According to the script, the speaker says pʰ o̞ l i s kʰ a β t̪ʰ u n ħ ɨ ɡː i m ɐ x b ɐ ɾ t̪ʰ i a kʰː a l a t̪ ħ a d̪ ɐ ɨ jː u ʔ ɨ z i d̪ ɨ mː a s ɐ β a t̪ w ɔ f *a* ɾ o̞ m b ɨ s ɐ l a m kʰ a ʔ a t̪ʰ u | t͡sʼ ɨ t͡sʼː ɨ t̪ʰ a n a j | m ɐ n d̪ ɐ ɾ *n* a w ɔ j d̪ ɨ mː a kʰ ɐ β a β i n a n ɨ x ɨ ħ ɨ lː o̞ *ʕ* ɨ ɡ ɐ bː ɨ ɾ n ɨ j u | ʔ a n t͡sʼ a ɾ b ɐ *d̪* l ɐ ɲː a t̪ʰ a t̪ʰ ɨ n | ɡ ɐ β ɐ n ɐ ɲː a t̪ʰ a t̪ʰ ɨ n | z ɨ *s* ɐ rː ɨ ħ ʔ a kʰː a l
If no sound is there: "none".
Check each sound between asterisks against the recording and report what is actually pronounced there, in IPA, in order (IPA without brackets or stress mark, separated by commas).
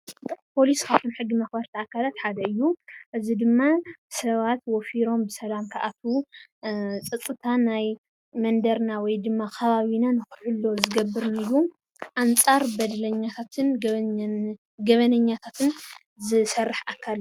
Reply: i, n, z, d̪, s